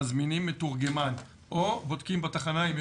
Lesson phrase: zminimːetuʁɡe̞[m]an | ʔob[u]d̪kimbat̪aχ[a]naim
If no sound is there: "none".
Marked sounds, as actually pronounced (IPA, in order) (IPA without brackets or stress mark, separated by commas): m, o, a